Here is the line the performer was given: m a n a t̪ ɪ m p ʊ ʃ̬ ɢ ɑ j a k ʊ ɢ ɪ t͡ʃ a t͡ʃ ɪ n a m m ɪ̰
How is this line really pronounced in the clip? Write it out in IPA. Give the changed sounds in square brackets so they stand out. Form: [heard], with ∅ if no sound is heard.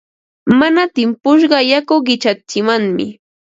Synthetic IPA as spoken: m a n a t̪ ɪ m p ʊ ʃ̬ ɢ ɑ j a k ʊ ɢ ɪ t͡ʃ a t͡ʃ ɪ [m] a [ŋ] m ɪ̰